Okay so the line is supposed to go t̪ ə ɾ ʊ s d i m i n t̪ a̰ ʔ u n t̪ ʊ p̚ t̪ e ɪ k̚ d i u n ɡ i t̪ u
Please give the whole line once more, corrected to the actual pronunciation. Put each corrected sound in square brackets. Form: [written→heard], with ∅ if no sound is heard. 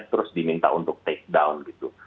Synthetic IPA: t̪ ə ɾ ʊ s d i m i n t̪ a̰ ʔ u n t̪ ʊ [p̚→k̚] t̪ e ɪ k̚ d [i→a] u n ɡ i t̪ u